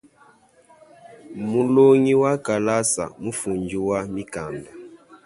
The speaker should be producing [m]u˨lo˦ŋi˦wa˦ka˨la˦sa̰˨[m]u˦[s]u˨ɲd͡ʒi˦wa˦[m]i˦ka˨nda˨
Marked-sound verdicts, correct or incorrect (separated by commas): correct, correct, incorrect, correct